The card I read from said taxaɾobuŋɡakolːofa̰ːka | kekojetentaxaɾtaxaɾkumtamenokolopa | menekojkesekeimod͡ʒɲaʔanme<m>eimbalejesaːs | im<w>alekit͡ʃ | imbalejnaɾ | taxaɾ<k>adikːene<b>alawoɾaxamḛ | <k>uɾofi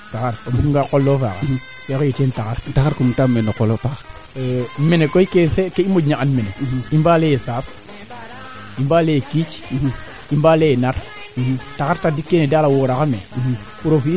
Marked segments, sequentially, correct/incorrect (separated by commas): incorrect, incorrect, incorrect, incorrect, incorrect